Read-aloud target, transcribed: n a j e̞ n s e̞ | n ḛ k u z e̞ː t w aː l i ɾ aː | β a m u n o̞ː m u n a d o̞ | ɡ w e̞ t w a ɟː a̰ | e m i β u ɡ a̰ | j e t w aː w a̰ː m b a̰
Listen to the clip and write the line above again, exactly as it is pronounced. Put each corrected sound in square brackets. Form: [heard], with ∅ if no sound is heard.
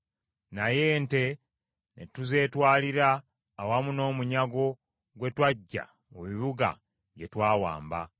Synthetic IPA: n a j e̞ n [t] e̞ | n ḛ [t] u z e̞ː t w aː l i ɾ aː | [w] a m u n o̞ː m u [ɲ] a [ɡ] o̞ | ɡ w e̞ t w a ɟː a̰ | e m i β u ɡ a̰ | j e t w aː w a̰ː m b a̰